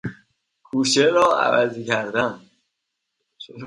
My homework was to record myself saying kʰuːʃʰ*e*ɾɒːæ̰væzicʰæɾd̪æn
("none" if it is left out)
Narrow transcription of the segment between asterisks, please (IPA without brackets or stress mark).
e